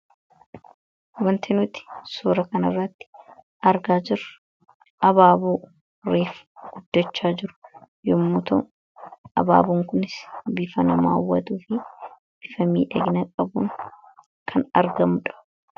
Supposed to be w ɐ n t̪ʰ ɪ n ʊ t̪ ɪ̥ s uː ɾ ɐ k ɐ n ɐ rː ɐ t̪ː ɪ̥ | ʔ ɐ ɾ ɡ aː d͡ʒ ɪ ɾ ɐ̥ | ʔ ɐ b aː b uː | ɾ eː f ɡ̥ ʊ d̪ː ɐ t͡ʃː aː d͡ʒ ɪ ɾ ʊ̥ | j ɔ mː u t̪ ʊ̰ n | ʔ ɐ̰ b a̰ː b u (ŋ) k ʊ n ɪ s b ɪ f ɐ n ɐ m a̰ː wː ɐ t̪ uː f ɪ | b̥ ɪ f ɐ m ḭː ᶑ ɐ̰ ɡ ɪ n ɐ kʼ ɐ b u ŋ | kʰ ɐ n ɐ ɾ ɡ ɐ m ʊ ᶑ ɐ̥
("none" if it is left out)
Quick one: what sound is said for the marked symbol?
ŋ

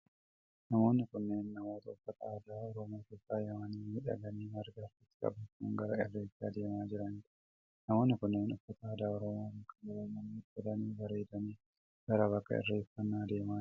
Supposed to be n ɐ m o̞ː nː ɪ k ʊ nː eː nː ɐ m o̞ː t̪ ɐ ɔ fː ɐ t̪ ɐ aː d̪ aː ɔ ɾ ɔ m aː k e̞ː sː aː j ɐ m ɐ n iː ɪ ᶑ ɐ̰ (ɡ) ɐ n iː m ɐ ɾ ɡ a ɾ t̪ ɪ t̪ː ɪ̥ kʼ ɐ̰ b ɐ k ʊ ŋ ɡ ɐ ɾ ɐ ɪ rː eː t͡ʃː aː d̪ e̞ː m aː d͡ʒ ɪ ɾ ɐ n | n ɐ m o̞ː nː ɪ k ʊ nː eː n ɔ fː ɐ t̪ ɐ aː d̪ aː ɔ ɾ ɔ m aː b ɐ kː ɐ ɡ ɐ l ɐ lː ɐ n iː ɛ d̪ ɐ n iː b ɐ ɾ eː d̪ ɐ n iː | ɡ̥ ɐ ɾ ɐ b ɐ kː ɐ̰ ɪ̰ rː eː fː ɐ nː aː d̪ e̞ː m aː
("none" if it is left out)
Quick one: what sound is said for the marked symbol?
ɡ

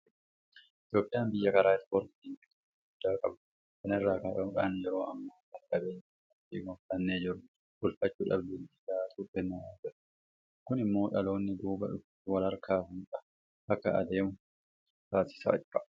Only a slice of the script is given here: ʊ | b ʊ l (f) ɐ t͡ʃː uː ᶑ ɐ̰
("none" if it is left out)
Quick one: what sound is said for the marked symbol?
f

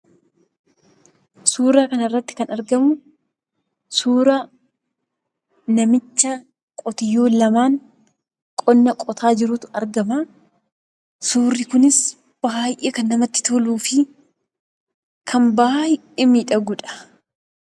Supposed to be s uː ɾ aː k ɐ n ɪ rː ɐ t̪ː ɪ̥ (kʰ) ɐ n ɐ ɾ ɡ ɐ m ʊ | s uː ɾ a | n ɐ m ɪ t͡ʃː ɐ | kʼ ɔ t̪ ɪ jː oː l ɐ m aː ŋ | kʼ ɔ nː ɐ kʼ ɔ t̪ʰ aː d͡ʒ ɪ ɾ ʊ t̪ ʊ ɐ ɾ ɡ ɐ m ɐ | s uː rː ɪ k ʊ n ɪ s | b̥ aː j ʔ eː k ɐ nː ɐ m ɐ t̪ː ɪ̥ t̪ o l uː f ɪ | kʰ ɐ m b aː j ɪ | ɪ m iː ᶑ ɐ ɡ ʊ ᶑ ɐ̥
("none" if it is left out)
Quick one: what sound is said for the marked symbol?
k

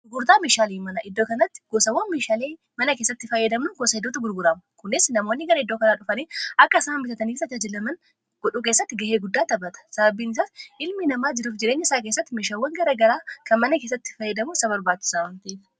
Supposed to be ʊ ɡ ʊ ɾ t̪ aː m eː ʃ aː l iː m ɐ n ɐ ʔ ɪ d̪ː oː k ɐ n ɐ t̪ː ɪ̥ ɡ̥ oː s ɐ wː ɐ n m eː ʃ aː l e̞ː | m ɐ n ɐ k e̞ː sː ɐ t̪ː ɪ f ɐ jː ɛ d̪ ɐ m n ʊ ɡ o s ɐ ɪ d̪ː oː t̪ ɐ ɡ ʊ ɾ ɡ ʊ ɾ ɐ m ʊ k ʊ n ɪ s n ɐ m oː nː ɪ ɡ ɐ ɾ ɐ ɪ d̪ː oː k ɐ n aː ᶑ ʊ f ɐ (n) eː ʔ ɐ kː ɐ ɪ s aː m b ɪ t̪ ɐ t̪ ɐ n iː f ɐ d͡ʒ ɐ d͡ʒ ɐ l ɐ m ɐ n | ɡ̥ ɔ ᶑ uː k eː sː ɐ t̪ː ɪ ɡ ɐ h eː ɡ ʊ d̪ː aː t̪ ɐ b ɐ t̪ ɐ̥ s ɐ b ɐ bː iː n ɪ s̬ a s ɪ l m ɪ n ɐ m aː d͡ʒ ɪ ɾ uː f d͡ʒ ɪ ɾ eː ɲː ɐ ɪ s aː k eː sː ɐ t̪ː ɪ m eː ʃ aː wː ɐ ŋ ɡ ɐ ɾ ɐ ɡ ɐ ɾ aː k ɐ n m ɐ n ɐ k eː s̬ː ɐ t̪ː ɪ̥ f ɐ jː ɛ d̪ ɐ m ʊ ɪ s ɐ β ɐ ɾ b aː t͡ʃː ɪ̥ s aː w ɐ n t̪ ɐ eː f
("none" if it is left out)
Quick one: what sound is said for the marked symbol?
n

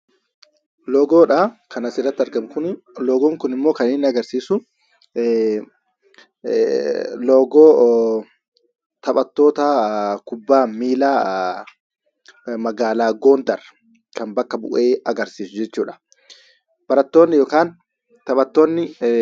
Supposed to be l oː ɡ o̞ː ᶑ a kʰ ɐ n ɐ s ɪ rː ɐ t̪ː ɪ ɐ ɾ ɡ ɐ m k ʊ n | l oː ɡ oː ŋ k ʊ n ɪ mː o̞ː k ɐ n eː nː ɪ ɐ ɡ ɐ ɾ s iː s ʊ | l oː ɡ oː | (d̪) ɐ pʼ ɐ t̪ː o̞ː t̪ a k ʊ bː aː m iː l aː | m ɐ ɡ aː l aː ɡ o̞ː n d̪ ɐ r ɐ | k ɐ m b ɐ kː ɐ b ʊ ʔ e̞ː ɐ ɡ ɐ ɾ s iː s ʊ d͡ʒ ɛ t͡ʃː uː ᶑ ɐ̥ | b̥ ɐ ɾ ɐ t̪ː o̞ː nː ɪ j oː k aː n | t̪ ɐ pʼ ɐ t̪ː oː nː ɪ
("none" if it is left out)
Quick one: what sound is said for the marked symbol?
t̪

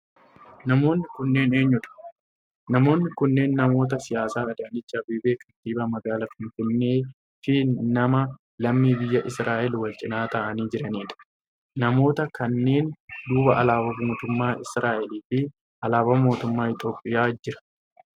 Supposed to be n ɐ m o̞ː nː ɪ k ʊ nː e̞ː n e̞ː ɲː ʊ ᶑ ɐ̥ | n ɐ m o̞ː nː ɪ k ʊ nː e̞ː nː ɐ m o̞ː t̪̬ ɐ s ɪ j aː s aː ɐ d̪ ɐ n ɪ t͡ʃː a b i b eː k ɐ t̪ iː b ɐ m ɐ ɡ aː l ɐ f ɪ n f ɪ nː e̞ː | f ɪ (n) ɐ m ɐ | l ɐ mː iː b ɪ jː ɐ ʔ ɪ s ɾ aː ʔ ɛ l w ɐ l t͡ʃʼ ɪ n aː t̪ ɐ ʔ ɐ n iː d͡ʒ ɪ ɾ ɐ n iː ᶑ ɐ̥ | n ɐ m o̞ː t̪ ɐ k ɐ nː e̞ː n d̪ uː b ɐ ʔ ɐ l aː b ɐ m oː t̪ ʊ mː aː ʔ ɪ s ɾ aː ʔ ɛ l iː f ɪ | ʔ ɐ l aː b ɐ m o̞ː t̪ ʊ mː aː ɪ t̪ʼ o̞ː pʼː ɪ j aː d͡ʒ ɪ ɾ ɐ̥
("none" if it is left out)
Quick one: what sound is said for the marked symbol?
n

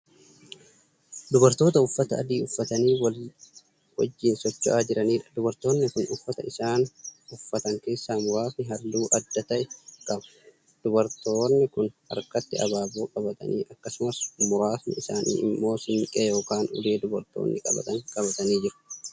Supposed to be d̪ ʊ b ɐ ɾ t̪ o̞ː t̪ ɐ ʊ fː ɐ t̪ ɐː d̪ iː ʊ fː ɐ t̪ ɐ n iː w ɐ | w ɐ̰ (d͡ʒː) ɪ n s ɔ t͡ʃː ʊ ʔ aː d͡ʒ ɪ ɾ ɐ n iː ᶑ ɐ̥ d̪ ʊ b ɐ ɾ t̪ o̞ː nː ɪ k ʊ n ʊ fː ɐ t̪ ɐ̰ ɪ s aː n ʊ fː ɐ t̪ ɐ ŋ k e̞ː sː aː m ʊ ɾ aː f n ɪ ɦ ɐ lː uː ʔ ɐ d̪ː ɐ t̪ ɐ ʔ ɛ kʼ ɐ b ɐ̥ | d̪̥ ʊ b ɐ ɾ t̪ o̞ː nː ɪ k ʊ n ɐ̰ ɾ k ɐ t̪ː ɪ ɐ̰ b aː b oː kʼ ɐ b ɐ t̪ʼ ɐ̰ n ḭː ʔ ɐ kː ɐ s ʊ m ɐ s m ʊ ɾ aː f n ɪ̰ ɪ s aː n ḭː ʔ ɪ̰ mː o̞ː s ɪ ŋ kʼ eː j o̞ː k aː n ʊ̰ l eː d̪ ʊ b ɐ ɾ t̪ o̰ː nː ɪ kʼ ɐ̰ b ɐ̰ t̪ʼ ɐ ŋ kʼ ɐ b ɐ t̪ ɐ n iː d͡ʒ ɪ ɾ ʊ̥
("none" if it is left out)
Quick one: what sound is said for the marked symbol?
d͡ʒː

